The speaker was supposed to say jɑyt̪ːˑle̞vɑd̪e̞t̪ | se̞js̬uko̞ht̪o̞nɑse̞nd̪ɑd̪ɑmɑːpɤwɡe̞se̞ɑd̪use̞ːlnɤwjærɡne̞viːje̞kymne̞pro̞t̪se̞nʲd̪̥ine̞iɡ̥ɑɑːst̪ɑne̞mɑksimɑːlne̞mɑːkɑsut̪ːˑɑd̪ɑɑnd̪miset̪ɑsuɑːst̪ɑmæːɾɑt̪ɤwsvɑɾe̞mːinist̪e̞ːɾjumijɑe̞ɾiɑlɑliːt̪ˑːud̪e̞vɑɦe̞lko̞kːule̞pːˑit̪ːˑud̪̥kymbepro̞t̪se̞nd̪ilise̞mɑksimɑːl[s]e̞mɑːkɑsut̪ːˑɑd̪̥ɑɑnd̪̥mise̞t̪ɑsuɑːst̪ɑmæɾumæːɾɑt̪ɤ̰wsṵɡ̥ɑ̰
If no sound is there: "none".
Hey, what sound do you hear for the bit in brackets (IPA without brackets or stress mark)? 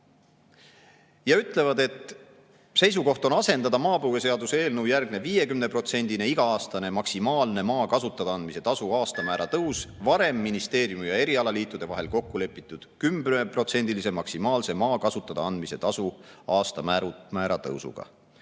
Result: s